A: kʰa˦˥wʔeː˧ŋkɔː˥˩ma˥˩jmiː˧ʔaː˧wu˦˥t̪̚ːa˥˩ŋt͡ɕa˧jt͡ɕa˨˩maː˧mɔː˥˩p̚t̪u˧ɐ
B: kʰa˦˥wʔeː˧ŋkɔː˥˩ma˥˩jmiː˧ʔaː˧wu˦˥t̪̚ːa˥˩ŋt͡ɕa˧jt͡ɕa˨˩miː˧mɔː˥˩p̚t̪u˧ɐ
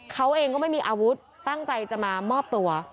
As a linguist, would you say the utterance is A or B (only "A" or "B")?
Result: A